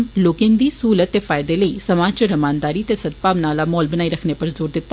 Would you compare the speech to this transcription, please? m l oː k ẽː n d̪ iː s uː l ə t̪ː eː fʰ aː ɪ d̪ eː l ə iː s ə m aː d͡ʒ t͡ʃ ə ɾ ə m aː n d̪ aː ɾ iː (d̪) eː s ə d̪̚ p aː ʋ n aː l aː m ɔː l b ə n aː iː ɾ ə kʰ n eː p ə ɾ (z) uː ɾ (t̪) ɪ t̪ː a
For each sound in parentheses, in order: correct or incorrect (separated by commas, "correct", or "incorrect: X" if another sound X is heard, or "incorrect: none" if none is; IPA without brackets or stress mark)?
incorrect: t̪, correct, incorrect: d̪